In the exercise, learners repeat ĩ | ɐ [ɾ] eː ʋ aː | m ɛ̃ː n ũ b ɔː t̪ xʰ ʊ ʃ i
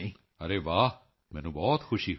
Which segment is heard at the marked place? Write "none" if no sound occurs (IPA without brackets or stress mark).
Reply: ɾ